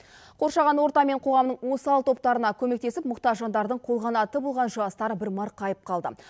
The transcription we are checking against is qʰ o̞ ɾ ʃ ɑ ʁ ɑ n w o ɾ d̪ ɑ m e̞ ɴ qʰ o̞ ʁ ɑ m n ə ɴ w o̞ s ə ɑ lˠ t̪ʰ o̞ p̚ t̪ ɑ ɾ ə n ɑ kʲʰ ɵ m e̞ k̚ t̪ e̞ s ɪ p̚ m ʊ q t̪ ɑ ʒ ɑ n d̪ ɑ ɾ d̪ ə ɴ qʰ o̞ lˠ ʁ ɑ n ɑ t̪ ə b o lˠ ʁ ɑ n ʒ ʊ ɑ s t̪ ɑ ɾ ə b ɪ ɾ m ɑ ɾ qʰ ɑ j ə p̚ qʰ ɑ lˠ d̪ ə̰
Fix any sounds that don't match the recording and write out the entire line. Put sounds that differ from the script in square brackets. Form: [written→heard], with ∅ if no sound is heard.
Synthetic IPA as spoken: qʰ o̞ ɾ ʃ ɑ ʁ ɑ n w o ɾ [d̪→t̪] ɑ m e̞ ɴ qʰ o̞ ʁ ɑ m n ə ɴ w o̞ s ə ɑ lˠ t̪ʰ o̞ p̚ t̪ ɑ ɾ ə n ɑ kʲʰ ɵ m e̞ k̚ t̪ e̞ s ɪ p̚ m ʊ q t̪ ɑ ʒ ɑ n d̪ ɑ ɾ d̪ ə ɴ qʰ o̞ lˠ ʁ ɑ n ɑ t̪ ə b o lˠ ʁ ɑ n ʒ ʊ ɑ s t̪ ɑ ɾ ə b ɪ ɾ m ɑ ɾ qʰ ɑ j ə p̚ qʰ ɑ lˠ d̪ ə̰